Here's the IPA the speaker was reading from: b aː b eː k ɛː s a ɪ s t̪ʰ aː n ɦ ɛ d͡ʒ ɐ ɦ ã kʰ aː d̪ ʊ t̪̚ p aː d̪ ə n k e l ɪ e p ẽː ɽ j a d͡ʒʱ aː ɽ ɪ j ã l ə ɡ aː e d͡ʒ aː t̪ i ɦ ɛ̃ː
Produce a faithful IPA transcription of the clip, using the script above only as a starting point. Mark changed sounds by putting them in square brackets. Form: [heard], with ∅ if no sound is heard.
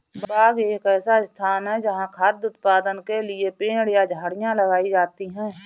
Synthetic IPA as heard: b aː [ɡ] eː k ɛː s a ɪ s t̪ʰ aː n ɦ ɛ d͡ʒ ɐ ɦ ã kʰ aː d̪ ʊ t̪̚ p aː d̪ ə n k e l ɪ e p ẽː ɽ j a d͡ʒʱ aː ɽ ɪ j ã l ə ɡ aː [i] d͡ʒ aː t̪ i ɦ ɛ̃ː